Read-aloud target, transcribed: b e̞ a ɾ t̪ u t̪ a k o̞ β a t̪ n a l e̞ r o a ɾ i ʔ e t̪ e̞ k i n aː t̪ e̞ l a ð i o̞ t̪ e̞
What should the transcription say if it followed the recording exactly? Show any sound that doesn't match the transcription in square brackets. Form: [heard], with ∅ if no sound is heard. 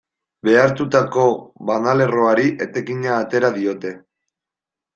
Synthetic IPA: b e̞ a ɾ t̪ u t̪ a k o̞ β a [∅] n a l e̞ r o a ɾ i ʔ e t̪ e̞ k i [ɲ] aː t̪ e̞ [ɾ] a ð i o̞ t̪ e̞